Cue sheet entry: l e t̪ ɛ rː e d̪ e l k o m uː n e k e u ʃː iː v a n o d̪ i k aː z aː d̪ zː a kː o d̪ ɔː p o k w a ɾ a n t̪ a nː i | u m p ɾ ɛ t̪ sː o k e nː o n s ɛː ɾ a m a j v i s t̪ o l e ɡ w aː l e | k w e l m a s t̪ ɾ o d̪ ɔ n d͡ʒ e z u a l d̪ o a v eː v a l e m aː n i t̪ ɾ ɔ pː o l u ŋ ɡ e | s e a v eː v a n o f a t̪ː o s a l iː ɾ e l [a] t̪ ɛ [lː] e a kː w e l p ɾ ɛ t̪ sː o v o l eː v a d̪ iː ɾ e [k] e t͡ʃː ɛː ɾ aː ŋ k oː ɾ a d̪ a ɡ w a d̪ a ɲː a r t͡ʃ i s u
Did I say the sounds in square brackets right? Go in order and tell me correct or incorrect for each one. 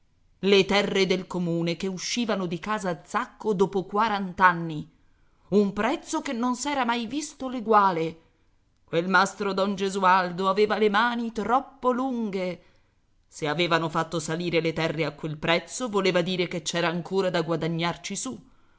incorrect: e, incorrect: rː, correct

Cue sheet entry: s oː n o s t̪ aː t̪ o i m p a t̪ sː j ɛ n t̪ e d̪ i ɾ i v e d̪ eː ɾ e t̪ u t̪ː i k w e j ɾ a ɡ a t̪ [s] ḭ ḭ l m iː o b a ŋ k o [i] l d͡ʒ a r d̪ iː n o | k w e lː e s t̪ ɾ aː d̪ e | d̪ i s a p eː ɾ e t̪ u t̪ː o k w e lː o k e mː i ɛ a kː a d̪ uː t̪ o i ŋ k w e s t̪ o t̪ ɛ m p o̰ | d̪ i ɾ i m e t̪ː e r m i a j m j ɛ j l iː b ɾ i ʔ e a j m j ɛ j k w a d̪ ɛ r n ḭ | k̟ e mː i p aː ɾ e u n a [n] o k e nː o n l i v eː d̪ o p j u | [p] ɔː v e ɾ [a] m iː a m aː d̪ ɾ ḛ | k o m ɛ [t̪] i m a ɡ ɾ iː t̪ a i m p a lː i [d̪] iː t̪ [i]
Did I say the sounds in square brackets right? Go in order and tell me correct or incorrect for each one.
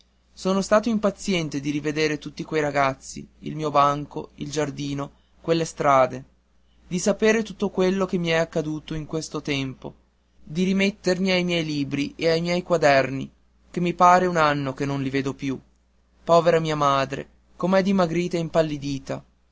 incorrect: sː, correct, incorrect: nː, correct, correct, incorrect: d̪, correct, incorrect: a

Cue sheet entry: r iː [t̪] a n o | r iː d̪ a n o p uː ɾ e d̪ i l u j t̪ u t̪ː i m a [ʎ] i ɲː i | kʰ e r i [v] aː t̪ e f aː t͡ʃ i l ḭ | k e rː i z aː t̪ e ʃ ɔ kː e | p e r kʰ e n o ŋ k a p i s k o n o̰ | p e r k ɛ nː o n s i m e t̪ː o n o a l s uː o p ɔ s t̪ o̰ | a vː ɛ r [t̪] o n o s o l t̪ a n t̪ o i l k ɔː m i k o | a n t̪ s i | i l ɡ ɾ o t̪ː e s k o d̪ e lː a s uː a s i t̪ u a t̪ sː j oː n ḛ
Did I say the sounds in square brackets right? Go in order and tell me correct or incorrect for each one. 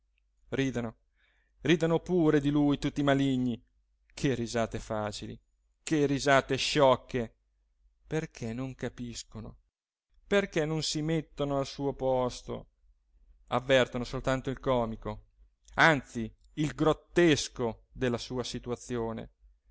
incorrect: d̪, incorrect: l, incorrect: z, correct

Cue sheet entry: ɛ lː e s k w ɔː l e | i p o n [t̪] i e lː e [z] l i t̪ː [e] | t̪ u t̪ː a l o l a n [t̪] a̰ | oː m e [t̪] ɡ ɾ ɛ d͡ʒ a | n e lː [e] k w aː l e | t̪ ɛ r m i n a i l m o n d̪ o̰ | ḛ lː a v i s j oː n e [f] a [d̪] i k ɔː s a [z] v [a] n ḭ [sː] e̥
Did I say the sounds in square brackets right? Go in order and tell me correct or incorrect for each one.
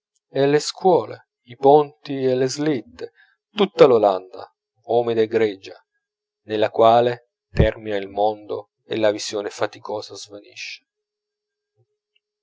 correct, correct, correct, incorrect: d̪, incorrect: d̪, incorrect: a, correct, incorrect: t̪, correct, correct, incorrect: ʃː

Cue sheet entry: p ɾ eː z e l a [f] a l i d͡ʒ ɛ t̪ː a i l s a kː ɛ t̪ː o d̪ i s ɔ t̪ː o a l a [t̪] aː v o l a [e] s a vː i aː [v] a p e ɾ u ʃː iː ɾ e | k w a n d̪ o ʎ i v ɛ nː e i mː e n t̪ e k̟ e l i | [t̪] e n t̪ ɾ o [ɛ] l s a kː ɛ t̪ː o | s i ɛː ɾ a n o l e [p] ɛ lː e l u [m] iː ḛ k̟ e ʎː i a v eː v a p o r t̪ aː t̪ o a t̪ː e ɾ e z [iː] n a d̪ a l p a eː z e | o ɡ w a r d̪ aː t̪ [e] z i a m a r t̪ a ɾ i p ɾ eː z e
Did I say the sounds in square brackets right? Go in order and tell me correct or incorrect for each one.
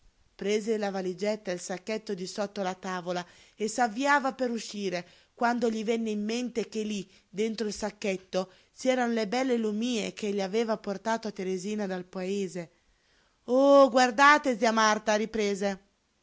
incorrect: v, correct, correct, correct, incorrect: d̪, incorrect: i, incorrect: b, correct, correct, correct

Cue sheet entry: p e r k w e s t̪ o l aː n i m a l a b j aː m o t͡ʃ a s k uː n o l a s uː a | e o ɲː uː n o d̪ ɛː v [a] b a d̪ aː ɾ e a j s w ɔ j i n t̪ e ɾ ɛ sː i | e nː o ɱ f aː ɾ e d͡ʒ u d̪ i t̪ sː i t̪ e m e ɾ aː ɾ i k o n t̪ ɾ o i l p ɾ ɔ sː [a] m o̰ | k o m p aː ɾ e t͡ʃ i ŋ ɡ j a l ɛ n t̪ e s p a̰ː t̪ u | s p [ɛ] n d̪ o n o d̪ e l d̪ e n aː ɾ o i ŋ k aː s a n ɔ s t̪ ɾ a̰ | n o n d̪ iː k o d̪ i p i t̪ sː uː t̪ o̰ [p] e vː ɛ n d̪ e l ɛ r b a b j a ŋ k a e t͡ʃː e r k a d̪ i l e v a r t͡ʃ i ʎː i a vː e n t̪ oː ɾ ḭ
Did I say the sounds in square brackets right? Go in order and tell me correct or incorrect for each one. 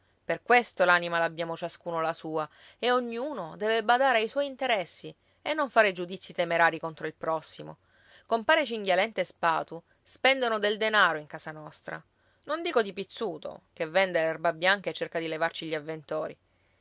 incorrect: e, incorrect: i, correct, incorrect: k

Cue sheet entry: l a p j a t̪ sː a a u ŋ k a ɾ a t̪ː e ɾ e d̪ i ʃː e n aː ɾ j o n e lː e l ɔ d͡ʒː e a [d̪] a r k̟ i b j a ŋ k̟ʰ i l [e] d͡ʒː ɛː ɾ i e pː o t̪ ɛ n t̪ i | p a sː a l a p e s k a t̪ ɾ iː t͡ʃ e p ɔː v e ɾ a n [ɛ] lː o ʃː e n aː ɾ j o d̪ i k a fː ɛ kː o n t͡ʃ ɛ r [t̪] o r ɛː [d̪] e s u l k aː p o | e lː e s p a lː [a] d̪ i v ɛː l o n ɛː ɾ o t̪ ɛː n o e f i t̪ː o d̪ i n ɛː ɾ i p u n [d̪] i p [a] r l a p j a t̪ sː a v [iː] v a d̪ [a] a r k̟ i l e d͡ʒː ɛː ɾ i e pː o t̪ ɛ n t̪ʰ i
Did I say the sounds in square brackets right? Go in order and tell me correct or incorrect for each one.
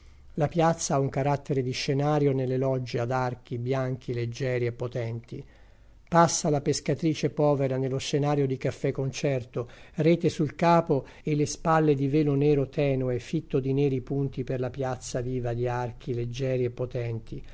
correct, correct, incorrect: e, correct, incorrect: t̪, incorrect: e, incorrect: t̪, incorrect: e, correct, incorrect: i

